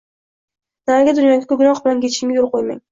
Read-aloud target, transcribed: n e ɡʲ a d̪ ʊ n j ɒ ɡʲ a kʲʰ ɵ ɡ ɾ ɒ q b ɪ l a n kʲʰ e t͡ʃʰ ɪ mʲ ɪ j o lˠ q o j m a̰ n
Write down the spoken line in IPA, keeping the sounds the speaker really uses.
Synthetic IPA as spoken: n a ɡʲ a d̪ ʊ n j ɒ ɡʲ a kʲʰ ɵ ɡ ɾ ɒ q b ɪ l a n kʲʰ e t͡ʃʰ ɪ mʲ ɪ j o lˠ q o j m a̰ ŋ